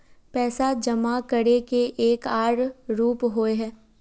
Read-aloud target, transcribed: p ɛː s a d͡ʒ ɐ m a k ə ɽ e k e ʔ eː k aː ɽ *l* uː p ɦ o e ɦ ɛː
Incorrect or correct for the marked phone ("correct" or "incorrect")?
incorrect